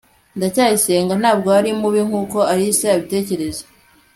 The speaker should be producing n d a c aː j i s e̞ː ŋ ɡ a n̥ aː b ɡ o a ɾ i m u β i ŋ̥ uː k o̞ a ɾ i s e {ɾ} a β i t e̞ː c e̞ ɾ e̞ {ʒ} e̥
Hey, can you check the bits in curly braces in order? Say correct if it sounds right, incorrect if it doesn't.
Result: incorrect: none, incorrect: z

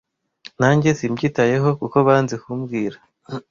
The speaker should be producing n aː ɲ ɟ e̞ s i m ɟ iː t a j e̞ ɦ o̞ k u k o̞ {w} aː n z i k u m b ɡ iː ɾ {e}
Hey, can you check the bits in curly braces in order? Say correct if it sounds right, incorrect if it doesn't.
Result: incorrect: β, incorrect: a

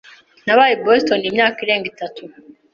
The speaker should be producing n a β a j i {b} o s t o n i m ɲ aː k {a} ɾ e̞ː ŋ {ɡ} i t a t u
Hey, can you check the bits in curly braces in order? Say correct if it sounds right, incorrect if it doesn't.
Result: correct, incorrect: i, correct

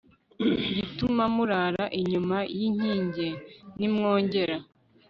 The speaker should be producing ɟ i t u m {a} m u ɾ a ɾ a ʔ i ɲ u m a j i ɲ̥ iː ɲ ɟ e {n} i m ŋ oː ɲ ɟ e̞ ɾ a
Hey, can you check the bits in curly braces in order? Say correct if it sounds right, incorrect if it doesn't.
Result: correct, correct

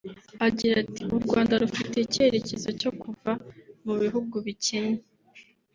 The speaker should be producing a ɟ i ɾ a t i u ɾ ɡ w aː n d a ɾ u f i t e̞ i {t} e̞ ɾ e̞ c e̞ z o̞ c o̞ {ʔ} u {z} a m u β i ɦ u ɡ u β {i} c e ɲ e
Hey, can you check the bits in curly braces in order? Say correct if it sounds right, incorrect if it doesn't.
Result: incorrect: c, incorrect: k, incorrect: v, correct

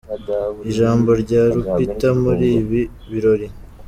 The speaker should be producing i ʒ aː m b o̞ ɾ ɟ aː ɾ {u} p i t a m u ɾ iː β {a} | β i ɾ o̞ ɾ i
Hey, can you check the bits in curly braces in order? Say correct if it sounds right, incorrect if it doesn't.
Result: correct, incorrect: i

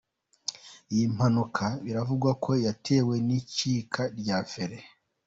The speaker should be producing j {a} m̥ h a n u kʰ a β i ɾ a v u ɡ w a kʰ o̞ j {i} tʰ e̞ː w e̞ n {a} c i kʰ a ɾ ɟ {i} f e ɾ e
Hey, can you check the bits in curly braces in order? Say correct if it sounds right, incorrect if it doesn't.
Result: incorrect: i, incorrect: a, incorrect: i, incorrect: a

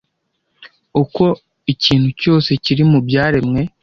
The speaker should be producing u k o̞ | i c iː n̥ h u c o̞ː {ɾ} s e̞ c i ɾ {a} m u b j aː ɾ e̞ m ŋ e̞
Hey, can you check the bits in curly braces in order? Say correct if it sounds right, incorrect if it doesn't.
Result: incorrect: none, incorrect: i

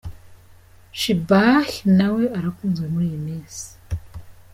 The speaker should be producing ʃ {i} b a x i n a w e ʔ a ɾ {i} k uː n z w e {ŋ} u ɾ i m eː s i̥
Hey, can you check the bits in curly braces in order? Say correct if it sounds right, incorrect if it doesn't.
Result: correct, incorrect: a, incorrect: m

